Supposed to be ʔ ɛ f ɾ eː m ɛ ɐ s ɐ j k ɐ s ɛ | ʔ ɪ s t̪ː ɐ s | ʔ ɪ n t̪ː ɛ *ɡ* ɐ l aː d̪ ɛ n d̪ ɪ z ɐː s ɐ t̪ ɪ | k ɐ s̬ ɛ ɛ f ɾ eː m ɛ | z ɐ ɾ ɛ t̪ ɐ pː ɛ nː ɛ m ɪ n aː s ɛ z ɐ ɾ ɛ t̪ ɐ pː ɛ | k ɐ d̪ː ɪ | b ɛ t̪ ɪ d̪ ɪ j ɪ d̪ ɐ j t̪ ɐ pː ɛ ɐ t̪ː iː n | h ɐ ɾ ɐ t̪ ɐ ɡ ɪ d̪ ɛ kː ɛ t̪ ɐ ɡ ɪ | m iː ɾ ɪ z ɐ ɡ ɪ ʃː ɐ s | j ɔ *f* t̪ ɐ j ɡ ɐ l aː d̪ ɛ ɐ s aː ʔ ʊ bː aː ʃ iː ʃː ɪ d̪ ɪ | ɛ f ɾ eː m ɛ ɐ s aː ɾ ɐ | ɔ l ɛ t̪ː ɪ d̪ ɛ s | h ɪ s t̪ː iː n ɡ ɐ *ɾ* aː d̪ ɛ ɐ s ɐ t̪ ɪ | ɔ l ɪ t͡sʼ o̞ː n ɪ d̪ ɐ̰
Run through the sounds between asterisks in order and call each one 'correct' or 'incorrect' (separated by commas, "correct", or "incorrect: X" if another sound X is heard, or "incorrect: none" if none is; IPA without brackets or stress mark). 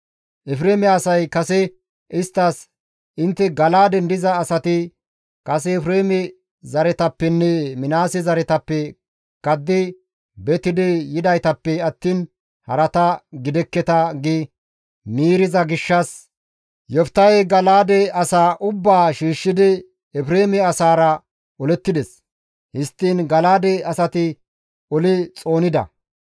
correct, correct, incorrect: l